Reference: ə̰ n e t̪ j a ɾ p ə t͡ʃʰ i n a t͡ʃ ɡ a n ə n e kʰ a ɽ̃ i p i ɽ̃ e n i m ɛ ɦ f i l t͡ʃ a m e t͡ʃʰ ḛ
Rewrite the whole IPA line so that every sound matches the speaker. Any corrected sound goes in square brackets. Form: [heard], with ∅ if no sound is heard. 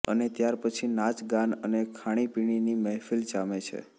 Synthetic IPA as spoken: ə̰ n e t̪ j a ɾ p ə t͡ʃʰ i n a t͡ʃ ɡ a n ə n e kʰ a ɽ̃ i p i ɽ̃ [i] n i m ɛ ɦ f i l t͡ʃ a m e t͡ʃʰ ḛ